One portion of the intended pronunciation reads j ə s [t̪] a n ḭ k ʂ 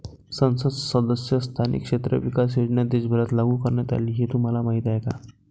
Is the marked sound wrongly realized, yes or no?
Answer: yes